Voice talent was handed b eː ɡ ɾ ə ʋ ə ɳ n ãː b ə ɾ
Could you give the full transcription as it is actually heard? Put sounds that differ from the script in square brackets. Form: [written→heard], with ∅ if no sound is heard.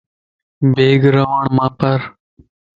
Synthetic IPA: b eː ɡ ɾ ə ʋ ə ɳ [n→m] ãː [b→p] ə ɾ